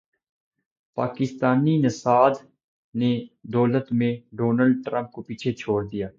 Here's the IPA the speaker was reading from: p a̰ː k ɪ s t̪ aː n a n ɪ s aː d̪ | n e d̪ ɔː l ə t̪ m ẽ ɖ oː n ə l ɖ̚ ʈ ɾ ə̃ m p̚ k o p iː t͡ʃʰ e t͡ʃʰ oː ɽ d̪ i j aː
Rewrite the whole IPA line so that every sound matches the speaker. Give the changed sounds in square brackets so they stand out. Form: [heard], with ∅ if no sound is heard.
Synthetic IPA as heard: p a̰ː k ɪ s t̪ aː n [i] n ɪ s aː d̪ | n e d̪ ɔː l ə t̪ m ẽ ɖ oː n ə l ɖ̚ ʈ ɾ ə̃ m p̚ k o p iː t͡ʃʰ e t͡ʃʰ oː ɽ d̪ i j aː

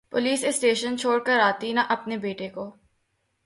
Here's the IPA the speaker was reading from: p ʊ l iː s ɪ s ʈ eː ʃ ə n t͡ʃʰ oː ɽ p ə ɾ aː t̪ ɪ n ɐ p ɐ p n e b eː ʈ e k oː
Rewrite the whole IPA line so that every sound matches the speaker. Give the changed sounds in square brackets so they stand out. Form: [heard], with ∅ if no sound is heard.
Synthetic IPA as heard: p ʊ l iː s ɪ s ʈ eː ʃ ə n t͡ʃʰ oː ɽ [k] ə ɾ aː t̪ [i] n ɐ [ʔ] ɐ p n e b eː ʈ e k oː

